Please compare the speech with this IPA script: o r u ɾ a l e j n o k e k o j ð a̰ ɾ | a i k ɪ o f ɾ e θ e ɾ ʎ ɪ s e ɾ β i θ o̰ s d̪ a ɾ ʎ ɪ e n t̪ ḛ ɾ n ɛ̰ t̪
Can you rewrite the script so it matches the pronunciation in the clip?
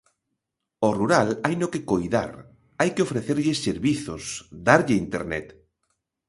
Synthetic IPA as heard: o r u ɾ a l a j n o k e k o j ð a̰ ɾ | a j k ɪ o f ɾ e θ e ɾ ʎ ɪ s e ɾ β i θ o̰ s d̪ a ɾ ʎ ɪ i n t̪ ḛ ɾ n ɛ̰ t̪